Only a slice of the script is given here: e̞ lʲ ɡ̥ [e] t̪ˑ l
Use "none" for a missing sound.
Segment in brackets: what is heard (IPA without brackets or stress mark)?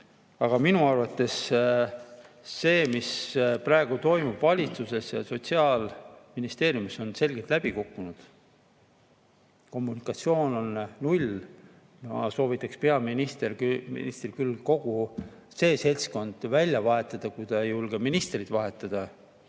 e